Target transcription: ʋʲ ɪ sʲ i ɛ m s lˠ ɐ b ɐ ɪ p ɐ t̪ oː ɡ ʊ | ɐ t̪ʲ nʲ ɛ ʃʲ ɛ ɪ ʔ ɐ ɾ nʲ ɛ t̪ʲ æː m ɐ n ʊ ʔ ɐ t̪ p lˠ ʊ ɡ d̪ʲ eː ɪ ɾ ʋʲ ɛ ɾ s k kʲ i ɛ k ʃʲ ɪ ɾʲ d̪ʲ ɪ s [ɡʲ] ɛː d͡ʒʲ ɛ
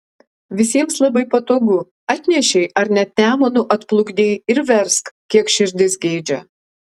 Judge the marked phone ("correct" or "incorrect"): correct